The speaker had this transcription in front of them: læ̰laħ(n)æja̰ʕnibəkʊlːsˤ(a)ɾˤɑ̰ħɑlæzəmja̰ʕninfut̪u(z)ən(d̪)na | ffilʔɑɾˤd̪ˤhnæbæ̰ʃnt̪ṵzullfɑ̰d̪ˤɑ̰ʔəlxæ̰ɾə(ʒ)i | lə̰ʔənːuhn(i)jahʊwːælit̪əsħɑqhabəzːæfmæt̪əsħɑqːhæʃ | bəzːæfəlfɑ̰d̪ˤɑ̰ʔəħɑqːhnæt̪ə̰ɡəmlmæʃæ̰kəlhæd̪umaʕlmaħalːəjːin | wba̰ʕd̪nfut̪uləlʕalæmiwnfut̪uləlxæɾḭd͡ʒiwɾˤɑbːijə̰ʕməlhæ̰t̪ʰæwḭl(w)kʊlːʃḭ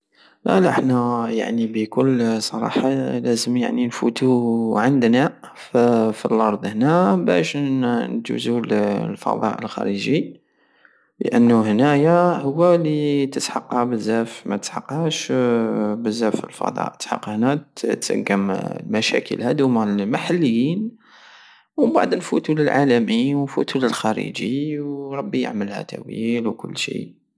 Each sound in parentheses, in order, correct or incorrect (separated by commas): correct, incorrect, incorrect, correct, correct, incorrect, correct